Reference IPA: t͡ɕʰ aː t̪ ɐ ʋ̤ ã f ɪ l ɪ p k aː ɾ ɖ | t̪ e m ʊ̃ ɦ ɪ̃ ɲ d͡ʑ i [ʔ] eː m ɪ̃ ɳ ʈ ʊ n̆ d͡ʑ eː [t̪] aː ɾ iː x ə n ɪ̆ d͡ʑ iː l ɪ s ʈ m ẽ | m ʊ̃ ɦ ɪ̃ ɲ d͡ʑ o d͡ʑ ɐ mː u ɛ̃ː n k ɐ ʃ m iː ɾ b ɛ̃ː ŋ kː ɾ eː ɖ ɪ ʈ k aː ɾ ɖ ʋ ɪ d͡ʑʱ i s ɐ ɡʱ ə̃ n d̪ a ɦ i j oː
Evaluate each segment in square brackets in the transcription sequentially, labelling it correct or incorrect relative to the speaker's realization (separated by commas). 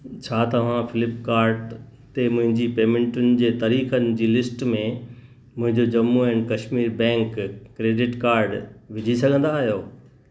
incorrect, correct